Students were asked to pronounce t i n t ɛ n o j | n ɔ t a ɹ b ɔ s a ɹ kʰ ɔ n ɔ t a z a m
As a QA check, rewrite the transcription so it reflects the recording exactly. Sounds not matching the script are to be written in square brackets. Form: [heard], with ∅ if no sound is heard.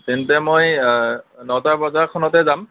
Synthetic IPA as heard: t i n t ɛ [m] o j | n ɔ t a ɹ b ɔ [z] a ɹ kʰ ɔ n ɔ t [ɛ] z a m